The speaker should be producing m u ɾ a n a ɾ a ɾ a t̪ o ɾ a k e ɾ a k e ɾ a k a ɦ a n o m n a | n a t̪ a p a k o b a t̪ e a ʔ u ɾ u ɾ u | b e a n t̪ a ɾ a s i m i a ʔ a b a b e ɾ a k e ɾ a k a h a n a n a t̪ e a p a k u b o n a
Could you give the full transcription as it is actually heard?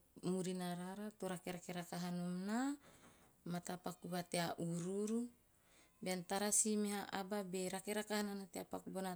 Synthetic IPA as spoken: m u ɾ i n a ɾ a ɾ a t̪ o ɾ a k e ɾ a k e ɾ a k a ɦ a n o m n a | m a t̪ a p a k u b a t̪ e a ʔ u ɾ u ɾ u | b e a n t̪ a ɾ a s i m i a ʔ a b a b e ɾ a k e ɾ a k a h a n a n a t̪ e a p a k u b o n a